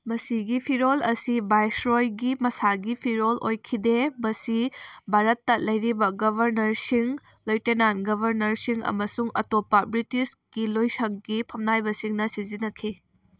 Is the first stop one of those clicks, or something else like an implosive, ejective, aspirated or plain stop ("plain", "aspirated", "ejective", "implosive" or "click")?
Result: plain